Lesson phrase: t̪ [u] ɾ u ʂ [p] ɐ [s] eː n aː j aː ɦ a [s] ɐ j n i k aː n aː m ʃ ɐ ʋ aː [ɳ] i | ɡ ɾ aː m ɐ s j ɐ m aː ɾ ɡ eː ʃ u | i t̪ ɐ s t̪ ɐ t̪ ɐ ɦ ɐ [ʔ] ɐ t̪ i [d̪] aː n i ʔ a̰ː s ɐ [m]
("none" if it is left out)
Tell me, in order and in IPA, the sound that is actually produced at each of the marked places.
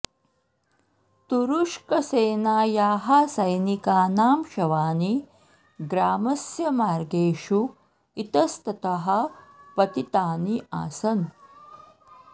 u, k, s, s, n, p, t̪, n

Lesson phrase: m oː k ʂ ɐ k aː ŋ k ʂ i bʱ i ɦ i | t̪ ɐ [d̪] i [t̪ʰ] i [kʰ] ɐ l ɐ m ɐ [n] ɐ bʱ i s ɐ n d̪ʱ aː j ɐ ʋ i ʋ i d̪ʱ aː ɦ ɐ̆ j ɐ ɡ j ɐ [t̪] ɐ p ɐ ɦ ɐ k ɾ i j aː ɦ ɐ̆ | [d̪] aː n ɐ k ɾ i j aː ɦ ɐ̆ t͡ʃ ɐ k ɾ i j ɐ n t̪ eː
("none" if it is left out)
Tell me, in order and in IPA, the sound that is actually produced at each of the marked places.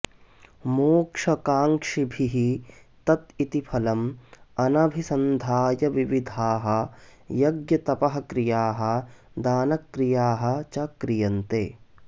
t̪, t̪, pʰ, n, t̪, d̪

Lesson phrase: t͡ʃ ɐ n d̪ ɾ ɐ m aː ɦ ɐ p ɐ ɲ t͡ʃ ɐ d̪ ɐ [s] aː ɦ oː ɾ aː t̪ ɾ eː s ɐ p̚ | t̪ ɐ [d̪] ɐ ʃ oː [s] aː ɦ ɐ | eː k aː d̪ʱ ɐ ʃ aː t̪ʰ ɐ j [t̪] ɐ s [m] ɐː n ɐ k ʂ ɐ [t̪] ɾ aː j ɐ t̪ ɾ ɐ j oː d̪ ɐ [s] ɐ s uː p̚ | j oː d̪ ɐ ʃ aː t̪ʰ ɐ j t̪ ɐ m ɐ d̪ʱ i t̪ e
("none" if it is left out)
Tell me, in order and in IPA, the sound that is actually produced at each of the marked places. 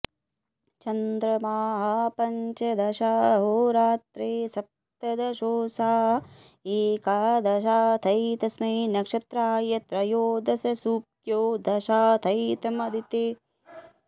ʃ, d̪, s, t̪, m, t̪, s

